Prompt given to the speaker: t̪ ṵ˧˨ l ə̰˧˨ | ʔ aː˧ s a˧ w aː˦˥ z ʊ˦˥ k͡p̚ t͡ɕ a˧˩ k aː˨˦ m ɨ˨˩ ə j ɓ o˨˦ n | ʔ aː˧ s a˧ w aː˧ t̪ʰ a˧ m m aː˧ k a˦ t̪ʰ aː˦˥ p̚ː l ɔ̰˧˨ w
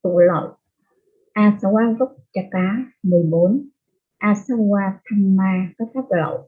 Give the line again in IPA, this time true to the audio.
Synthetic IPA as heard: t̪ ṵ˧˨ l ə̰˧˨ | ʔ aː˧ s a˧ w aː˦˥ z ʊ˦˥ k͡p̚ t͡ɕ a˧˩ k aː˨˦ m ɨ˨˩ ə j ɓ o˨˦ n | ʔ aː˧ s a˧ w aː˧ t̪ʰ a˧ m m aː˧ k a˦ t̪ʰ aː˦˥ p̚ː l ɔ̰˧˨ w

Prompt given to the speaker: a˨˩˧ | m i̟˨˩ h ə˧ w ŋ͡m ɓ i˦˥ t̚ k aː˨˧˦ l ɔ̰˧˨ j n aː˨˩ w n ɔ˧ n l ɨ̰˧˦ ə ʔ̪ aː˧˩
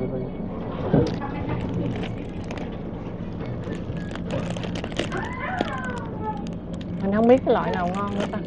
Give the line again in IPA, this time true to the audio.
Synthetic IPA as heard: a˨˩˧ | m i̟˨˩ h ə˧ w ŋ͡m ɓ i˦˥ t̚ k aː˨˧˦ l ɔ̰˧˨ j n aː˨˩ w ŋ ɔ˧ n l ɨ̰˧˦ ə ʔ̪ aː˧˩

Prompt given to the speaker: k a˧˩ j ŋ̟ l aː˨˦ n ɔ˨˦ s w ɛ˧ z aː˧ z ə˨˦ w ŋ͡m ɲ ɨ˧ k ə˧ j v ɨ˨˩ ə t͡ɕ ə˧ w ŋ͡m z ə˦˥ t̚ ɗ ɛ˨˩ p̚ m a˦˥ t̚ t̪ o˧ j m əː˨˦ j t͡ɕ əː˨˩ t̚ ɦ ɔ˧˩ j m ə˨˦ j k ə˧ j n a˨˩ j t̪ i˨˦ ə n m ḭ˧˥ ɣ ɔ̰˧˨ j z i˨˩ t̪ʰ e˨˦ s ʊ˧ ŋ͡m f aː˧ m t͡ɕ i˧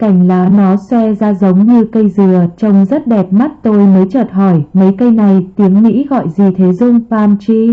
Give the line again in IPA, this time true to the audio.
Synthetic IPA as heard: k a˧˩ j ŋ̟ l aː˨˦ n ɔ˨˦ s w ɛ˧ z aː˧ z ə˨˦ w ŋ͡m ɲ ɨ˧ k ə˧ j z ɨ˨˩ ə t͡ɕ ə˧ w ŋ͡m z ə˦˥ t̚ ɗ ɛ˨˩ p̚ m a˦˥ t̚ t̪ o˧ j m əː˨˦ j t͡ɕ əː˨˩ t̚ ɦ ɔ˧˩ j m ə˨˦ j k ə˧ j n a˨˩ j t̪ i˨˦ ə ŋ m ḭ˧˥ ɣ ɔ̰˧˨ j z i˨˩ t̪ʰ e˨˦ z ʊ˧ ŋ͡m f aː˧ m t͡ɕ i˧

